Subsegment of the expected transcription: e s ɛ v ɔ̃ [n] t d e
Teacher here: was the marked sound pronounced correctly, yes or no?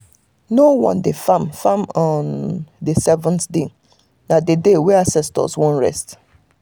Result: yes